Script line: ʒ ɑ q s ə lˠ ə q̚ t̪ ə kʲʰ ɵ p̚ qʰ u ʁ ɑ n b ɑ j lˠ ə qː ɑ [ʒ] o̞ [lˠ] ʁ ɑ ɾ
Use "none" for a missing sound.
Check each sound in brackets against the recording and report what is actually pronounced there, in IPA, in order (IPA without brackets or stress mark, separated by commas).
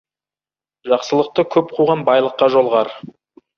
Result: ʒ, lˠ